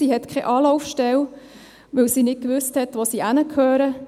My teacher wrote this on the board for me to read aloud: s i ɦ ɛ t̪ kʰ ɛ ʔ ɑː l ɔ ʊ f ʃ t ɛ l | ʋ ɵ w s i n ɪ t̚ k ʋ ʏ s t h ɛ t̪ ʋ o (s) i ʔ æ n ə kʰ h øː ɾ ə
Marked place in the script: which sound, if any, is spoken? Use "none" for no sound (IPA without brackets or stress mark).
s